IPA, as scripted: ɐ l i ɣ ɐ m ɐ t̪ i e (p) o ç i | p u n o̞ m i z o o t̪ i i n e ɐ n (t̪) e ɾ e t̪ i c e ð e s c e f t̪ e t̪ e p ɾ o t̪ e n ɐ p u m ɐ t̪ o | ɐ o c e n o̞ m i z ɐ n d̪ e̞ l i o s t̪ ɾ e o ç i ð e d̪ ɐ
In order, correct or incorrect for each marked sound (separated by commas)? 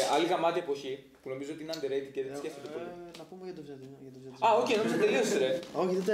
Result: correct, incorrect